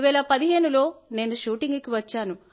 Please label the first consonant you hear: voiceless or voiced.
voiced